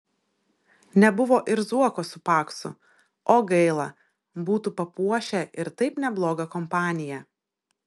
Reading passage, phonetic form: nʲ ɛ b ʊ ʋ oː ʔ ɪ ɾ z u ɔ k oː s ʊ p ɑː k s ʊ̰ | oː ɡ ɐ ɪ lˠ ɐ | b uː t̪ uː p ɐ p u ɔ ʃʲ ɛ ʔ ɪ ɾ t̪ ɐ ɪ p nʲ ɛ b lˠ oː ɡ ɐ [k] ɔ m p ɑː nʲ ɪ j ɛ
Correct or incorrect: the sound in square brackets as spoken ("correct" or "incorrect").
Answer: correct